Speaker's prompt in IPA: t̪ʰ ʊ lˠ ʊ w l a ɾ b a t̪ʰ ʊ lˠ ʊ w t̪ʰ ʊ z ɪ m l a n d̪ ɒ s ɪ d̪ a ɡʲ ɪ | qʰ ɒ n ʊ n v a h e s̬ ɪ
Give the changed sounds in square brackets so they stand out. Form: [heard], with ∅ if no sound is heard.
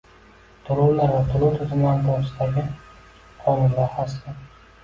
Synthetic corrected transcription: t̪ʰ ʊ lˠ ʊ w l a ɾ [v] a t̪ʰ ʊ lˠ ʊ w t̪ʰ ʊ z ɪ m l a n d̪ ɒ s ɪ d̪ a ɡʲ ɪ | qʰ ɒ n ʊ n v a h [a] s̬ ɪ